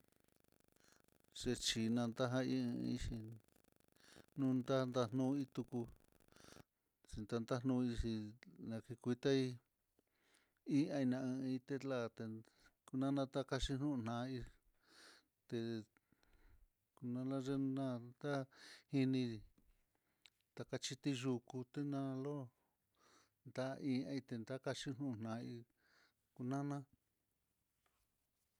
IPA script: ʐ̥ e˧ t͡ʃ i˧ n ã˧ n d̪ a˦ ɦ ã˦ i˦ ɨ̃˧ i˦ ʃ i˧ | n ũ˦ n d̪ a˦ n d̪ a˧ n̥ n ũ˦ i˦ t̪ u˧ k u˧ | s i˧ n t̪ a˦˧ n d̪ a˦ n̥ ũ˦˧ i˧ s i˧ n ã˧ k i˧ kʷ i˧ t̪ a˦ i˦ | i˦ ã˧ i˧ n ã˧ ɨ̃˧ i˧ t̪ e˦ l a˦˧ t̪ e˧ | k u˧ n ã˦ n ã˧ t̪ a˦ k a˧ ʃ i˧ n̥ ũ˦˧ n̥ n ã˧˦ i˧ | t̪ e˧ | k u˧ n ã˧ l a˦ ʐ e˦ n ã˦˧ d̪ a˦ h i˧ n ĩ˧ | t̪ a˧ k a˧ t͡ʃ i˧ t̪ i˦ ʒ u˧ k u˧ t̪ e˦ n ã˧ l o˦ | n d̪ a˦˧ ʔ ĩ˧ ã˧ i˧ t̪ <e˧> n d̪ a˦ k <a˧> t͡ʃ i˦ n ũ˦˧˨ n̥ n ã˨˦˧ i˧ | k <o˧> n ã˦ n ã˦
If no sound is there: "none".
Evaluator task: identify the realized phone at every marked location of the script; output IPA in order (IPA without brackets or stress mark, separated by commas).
e˧, a˧, u˧